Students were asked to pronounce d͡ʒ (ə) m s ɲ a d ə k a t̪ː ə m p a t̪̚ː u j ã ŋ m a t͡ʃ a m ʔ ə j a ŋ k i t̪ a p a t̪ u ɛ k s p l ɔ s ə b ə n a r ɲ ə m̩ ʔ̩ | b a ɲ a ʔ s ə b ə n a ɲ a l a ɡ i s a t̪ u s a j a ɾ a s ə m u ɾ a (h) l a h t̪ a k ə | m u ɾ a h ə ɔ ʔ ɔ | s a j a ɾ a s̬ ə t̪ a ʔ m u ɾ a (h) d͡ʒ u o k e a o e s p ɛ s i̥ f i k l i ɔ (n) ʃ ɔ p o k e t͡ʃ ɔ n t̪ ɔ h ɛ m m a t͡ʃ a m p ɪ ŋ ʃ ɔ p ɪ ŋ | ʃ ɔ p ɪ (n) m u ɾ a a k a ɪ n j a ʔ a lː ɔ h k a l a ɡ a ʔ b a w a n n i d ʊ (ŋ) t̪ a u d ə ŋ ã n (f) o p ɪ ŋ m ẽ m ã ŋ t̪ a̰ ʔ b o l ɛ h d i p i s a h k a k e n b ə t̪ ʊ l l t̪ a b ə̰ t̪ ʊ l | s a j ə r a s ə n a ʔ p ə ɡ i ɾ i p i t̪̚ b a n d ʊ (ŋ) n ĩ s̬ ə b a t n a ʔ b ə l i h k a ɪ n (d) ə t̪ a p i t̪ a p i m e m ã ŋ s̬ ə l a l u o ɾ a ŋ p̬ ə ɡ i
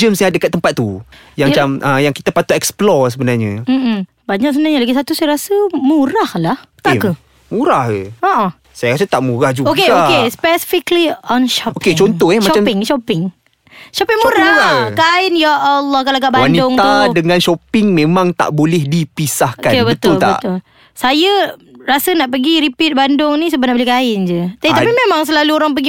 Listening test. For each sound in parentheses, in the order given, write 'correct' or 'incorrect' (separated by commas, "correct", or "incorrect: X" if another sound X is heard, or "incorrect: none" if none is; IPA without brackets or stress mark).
correct, correct, correct, correct, incorrect: ŋ, correct, incorrect: ʃ, correct, incorrect: d͡ʒ